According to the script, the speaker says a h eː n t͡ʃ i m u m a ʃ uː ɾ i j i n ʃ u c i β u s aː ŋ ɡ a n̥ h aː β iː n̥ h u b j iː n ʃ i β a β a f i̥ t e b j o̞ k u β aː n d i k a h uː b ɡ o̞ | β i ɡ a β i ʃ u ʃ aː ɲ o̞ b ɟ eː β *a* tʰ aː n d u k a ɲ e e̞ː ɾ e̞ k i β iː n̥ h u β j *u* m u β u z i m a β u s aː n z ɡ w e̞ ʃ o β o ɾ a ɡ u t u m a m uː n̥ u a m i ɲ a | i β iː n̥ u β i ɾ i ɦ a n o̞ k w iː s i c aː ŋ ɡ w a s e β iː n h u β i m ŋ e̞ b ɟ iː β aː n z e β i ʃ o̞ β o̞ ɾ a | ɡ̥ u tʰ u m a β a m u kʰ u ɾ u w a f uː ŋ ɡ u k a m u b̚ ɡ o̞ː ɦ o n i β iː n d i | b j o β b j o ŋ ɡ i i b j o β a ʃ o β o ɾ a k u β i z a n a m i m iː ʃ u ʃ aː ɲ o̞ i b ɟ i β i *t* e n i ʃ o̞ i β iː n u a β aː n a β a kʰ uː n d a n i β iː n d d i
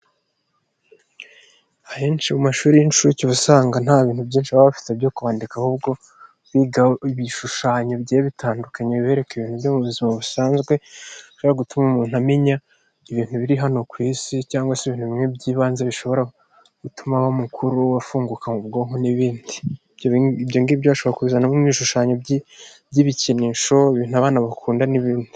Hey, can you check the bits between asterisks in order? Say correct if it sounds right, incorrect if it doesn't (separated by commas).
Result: incorrect, incorrect, incorrect